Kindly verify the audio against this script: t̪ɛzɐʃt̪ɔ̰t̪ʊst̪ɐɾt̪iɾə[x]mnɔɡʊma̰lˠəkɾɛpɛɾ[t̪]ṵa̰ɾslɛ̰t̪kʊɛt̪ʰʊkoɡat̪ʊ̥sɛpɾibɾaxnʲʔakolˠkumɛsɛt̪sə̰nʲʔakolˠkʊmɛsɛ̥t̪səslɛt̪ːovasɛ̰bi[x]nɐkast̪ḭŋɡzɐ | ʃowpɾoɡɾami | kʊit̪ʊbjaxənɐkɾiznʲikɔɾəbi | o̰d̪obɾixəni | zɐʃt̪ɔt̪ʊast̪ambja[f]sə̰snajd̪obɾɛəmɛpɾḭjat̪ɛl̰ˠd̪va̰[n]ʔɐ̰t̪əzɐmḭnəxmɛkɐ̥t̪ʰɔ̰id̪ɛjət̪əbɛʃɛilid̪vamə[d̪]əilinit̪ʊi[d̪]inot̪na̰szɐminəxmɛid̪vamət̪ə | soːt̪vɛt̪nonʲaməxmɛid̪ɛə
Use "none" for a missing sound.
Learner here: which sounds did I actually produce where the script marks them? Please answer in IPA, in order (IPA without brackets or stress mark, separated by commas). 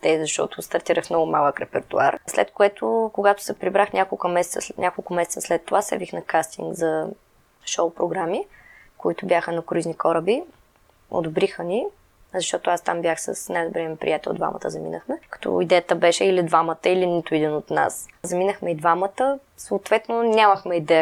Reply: x, t̪, x, x, m, t̪, d̪